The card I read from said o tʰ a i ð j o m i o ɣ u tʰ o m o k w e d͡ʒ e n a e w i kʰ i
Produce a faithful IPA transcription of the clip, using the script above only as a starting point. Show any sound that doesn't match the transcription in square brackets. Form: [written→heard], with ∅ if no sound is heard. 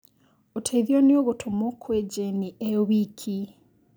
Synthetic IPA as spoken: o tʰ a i ð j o [m→n] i o ɣ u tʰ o m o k w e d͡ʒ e n [a→i] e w i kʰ i